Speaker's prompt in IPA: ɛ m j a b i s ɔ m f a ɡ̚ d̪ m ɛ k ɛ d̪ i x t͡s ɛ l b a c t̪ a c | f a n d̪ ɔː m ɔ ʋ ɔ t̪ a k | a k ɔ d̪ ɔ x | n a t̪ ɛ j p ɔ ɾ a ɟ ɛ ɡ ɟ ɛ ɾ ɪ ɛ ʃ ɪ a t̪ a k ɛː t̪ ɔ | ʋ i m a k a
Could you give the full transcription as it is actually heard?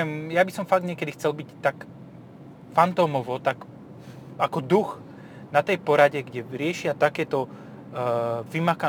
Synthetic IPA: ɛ m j a b i s ɔ m f a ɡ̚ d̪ ɲ ɛ k ɛ d̪ i x t͡s ɛ l b i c t̪ a k | f a n t̪ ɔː m ɔ ʋ ɔ t̪ a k | a k ɔ d̪ u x | n a t̪ ɛ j p ɔ ɾ a ɟ ɛ ɡ ɟ ɛ ɾ ɪ ɛ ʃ ɪ a t̪ a k ɛː t̪ ɔ | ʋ i m a k a